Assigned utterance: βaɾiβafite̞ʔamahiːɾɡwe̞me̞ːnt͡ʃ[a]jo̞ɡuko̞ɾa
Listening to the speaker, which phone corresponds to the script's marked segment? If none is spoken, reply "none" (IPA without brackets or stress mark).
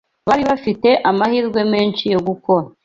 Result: i